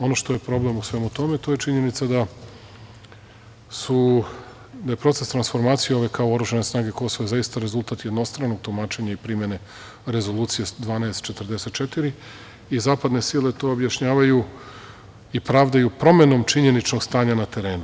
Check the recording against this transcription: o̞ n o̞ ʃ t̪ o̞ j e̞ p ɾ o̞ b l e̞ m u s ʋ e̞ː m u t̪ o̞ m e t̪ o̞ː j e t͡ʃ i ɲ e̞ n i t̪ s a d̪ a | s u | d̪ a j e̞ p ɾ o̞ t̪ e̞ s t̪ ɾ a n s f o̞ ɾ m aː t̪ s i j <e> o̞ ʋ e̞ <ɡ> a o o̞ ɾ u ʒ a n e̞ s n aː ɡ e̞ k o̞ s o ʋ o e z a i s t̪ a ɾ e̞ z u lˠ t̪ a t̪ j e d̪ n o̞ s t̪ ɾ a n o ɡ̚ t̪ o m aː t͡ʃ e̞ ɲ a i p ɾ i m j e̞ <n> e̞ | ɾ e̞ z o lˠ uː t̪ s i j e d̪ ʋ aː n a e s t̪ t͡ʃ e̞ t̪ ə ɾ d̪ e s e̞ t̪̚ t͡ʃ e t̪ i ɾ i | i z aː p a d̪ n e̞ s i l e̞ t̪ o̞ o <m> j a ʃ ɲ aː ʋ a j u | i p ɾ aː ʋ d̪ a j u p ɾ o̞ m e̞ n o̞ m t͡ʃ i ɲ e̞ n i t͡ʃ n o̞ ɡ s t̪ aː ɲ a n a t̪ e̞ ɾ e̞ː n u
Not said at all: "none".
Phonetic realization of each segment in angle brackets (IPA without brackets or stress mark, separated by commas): e, k, n, b